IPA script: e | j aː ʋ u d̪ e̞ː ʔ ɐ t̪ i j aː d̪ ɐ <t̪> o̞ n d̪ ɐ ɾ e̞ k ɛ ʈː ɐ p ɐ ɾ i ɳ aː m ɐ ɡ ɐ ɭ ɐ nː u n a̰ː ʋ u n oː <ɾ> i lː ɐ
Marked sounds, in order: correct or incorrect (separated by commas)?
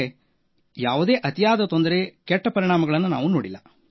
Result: correct, incorrect